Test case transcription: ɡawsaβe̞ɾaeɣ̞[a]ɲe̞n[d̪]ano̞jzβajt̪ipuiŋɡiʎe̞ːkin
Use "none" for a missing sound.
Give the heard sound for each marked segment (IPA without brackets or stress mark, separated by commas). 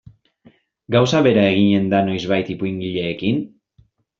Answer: i, d̪